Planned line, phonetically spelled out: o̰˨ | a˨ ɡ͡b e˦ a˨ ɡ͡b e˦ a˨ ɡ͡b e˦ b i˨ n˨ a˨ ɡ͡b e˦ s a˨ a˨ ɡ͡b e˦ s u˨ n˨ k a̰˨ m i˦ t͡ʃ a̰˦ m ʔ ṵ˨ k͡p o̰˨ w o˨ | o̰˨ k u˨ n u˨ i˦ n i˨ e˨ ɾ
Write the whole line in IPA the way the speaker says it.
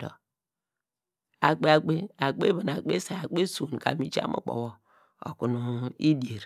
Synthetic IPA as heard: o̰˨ | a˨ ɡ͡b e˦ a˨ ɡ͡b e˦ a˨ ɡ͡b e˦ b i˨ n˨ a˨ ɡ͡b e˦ s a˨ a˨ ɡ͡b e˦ s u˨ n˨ k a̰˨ m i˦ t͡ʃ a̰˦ m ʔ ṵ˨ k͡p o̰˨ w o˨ | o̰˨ k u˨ n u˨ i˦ d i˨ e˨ ɾ